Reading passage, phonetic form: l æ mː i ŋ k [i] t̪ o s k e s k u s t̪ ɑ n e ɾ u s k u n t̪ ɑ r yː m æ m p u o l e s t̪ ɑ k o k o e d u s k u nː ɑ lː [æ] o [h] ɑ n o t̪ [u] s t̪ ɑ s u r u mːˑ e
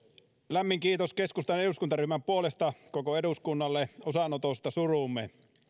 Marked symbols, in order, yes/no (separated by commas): no, no, no, no